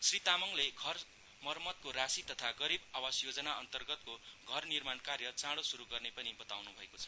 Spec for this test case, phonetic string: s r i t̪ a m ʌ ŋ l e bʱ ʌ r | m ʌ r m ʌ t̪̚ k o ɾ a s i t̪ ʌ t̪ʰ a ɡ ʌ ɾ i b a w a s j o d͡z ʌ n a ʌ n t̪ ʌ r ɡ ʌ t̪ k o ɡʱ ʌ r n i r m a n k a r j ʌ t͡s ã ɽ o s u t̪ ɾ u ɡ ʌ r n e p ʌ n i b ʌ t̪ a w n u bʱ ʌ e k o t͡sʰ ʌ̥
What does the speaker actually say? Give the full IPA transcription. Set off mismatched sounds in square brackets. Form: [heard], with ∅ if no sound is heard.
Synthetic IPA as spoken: s r i t̪ a m ʌ ŋ l e [ɡʱ] ʌ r | m ʌ r m ʌ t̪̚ k o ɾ a s i t̪ ʌ t̪ʰ a ɡ ʌ ɾ i b a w a s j o d͡z ʌ n a ʌ n t̪ ʌ r ɡ ʌ t̪ k o ɡʱ ʌ r n i r m a n k a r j ʌ t͡s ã ɽ o s u [∅] ɾ u ɡ ʌ r n e p ʌ n i b ʌ t̪ a w n u bʱ ʌ e k o t͡sʰ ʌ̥